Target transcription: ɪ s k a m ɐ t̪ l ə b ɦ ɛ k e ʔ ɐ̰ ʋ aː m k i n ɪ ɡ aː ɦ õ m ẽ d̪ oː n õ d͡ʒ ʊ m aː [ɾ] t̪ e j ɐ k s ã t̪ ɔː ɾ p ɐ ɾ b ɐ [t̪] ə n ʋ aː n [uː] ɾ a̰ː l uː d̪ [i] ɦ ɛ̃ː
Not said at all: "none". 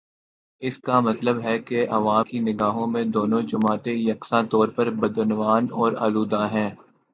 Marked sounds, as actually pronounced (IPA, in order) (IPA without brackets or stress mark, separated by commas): none, d̪, ɔː, a